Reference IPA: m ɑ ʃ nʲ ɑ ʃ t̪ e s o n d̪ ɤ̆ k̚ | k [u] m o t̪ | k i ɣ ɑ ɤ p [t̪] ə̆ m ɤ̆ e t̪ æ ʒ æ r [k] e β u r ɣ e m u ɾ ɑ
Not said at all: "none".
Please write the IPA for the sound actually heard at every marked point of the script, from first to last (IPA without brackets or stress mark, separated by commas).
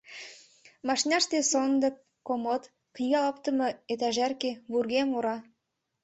o, t̪, k